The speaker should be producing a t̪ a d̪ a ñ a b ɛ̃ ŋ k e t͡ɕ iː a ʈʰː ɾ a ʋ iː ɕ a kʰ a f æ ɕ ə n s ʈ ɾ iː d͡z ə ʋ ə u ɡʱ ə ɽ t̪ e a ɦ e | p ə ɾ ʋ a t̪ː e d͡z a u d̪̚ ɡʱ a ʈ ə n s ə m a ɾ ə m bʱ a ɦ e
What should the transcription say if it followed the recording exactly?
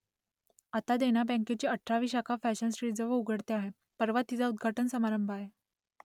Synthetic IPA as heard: a t̪ a d̪ e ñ a b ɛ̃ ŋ k e t͡ɕ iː ə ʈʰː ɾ a ʋ iː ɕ a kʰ a f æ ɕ ə n s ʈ ɾ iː d͡z ə ʋ ə u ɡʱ ə ɽ t̪ e a ɦ e | p ə ɾ ʋ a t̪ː i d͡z a u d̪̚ ɡʱ a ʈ ə n s ə m a ɾ ə m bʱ a ɦ e